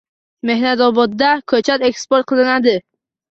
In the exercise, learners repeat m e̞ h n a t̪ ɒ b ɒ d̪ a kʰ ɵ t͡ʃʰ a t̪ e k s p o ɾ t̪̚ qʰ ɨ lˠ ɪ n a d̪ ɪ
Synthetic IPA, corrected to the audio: m e̞ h n a t̪ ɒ b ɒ d̪ː a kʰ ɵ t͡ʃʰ a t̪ e k s p o ɾ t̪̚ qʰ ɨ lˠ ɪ n a d̪ ɪ